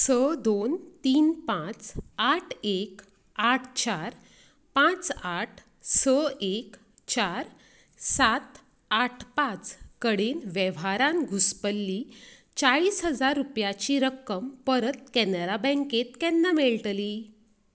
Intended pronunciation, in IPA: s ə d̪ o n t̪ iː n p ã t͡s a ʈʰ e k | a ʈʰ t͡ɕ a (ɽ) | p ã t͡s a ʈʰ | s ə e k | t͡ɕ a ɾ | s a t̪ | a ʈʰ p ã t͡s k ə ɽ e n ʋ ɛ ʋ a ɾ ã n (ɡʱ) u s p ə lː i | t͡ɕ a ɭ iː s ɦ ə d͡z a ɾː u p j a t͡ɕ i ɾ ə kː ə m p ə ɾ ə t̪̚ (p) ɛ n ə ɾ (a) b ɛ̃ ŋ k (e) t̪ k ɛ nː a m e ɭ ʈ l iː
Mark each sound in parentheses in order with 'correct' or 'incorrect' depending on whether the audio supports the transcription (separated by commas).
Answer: incorrect, correct, incorrect, correct, correct